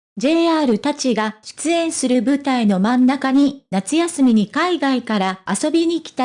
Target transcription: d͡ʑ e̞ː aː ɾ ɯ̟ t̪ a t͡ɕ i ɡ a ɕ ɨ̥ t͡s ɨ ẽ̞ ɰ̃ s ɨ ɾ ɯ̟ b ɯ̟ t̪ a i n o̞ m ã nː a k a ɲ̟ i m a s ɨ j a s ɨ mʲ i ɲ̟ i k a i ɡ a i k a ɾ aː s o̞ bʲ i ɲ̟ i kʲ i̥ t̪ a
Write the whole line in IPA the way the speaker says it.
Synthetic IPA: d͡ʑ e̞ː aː ɾ ɯ̟ t̪ a t͡ɕ i ɡ a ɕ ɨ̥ t͡s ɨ ẽ̞ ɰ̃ s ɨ ɾ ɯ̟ b ɯ̟ t̪ a i n o̞ m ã nː a k a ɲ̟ i n a t͡s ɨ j a s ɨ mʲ i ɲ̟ i k a i ɡ a i k a ɾ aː s o̞ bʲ i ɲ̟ i kʲ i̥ t̪ a